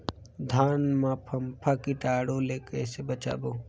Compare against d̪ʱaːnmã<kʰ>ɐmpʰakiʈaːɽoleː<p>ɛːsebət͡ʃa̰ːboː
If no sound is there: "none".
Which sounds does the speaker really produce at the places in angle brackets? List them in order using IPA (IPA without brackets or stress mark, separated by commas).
pʰ, k